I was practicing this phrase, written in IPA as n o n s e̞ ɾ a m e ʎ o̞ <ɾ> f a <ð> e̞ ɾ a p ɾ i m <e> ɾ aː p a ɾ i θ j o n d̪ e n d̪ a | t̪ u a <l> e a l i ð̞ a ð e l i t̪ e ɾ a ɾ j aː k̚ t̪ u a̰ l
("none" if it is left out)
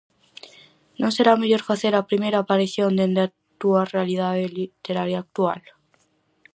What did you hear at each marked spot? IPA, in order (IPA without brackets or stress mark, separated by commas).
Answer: ɾ, θ, e, r